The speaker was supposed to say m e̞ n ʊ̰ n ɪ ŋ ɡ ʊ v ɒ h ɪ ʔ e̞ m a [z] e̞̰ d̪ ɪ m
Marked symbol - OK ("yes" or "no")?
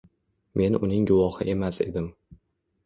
no